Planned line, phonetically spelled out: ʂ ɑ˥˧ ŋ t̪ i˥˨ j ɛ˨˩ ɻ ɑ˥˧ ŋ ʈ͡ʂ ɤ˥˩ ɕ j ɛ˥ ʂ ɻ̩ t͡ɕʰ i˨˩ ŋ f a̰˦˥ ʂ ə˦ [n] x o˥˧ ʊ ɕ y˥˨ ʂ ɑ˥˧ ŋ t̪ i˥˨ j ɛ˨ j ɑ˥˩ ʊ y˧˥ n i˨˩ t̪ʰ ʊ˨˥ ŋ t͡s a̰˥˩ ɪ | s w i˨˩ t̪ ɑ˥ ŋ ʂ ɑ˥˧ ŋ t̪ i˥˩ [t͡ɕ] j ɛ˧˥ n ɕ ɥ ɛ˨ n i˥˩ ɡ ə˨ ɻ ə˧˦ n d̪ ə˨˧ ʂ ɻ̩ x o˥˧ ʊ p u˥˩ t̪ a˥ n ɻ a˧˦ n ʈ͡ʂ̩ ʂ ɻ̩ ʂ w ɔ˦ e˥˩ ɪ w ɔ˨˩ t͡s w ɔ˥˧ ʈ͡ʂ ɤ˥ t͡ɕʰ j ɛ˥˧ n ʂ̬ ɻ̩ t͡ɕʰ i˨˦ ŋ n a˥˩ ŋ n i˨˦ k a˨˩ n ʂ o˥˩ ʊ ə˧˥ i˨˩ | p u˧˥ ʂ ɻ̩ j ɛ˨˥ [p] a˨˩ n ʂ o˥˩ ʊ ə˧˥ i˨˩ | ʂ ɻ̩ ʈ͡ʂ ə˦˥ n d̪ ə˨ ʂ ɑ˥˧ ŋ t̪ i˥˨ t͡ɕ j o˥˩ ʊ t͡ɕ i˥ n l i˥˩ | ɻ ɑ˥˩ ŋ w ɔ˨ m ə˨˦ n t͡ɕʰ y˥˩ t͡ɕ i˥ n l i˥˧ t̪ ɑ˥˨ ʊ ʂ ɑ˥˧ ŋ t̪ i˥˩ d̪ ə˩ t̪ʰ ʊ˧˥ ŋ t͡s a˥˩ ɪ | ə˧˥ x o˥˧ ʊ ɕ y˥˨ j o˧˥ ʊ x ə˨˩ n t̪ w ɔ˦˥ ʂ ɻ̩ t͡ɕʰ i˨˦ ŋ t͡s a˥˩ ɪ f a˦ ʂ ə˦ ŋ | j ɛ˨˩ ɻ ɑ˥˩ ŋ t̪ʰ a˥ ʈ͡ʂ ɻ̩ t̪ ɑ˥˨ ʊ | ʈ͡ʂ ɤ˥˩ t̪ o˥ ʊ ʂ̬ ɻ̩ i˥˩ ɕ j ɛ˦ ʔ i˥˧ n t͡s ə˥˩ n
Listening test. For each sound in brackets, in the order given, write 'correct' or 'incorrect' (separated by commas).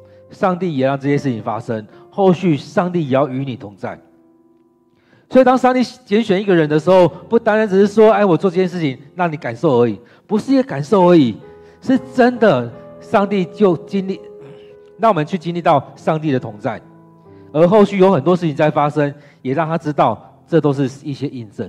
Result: incorrect, correct, incorrect